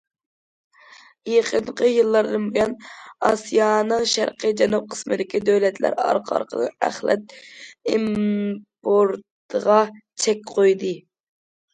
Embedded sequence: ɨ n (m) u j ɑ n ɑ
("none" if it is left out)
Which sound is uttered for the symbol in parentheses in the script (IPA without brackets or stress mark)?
b